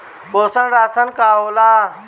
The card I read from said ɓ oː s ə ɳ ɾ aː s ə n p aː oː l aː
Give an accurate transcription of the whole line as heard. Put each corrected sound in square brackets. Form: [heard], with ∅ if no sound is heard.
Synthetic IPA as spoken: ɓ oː s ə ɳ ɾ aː s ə n [k] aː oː l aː